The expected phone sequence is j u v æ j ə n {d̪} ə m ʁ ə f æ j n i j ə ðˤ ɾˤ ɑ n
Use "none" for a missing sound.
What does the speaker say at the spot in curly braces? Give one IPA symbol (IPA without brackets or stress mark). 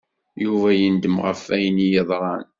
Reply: d̪